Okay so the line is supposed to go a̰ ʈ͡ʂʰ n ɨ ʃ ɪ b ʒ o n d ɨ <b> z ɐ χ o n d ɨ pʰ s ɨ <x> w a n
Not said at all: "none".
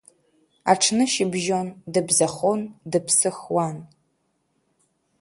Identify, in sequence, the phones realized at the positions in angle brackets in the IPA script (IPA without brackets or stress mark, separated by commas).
b, x